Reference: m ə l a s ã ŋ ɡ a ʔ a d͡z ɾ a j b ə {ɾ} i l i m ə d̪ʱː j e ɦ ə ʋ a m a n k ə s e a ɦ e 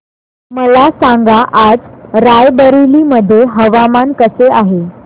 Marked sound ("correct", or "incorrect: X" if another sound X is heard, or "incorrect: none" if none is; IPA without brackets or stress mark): correct